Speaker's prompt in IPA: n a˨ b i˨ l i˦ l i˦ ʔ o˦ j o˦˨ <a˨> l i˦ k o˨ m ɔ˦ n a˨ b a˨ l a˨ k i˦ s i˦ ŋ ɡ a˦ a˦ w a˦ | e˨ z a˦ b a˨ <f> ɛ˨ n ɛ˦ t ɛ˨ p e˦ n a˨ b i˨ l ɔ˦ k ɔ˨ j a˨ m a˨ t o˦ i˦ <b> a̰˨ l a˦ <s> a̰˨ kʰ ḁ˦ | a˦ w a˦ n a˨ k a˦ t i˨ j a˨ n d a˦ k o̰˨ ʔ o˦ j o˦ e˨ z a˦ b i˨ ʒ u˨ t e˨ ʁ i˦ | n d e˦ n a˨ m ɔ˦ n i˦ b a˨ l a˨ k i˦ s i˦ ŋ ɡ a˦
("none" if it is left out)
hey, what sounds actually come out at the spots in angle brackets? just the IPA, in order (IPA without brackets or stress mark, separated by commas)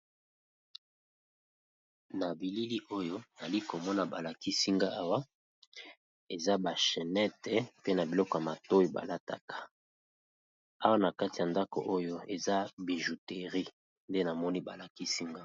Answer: a˨, ʃ, b, t